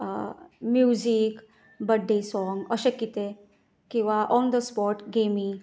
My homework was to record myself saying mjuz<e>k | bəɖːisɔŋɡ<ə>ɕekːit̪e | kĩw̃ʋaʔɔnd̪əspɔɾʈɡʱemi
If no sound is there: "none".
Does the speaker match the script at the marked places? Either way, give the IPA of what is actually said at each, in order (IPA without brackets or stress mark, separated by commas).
i, ə